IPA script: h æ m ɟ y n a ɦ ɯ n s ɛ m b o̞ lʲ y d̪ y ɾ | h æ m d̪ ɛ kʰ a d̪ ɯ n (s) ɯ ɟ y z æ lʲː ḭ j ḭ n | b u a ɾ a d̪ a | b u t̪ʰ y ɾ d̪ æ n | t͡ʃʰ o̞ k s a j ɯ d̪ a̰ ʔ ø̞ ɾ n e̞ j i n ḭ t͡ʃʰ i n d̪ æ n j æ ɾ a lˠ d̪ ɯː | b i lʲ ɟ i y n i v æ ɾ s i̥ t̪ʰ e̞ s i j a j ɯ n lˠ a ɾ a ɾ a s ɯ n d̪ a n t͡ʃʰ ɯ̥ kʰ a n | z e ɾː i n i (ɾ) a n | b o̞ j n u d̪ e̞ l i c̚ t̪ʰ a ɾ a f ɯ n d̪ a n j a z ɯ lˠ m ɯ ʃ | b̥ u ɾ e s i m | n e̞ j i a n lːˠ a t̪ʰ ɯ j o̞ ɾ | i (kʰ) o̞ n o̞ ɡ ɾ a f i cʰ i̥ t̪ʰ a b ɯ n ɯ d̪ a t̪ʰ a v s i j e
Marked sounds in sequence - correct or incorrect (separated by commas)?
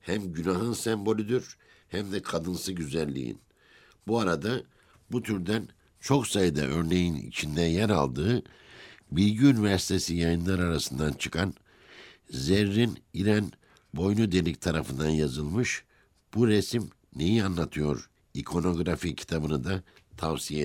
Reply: correct, correct, correct